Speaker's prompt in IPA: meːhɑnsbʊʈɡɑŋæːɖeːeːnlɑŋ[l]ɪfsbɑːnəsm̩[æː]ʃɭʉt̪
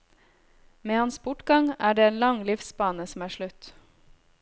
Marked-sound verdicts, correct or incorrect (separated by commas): correct, correct